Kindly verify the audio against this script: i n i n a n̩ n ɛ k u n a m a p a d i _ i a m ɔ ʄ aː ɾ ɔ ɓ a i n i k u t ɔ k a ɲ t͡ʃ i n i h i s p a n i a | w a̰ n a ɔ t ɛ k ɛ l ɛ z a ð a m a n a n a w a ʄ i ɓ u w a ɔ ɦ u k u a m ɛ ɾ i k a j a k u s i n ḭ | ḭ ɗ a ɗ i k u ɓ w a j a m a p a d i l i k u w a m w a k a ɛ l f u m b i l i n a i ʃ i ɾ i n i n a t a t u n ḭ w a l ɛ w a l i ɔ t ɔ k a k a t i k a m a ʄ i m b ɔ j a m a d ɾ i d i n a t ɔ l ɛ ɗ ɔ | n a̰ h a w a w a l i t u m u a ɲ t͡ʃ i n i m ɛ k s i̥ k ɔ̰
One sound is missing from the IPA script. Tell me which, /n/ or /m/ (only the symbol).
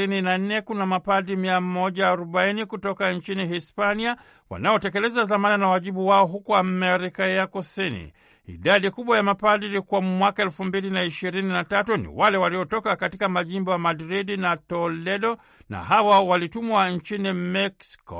m